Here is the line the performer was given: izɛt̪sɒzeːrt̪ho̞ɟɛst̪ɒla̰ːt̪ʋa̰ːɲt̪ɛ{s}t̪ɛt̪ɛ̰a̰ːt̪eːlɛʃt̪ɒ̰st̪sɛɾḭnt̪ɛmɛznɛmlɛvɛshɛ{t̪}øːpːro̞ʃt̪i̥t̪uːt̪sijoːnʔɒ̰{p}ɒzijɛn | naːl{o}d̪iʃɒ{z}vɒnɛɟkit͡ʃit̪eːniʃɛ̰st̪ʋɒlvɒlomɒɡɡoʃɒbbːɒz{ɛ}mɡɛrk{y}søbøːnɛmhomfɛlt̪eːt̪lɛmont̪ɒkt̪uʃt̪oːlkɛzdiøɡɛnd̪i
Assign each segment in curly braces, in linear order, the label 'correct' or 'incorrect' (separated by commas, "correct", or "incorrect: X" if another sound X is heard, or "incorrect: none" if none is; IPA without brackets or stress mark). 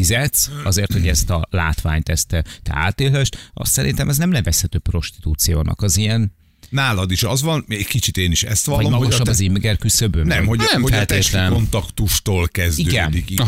correct, correct, incorrect: k, incorrect: ɒ, correct, incorrect: i, correct